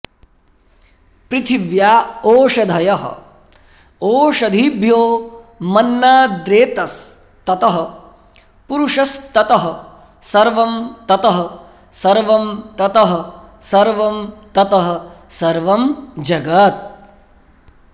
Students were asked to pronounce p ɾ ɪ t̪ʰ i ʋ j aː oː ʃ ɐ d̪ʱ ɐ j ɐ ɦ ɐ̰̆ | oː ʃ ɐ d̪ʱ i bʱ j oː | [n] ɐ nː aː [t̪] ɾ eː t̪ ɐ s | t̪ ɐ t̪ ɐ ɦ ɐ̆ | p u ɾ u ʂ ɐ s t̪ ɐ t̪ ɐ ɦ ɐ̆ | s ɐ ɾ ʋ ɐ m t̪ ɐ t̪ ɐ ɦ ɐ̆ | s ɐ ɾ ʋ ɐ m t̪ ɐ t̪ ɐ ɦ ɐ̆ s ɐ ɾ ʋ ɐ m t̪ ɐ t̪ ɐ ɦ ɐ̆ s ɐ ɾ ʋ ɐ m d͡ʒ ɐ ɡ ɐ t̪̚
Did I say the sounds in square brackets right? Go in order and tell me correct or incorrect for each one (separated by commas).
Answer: incorrect, incorrect